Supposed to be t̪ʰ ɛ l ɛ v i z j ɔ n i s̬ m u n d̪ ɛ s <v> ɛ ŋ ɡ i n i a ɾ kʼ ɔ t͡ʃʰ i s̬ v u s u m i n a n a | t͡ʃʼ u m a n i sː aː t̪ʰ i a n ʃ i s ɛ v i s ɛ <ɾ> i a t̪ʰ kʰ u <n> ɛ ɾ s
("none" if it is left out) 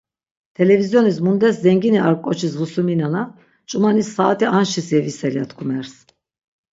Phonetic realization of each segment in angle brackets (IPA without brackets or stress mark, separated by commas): z, l, m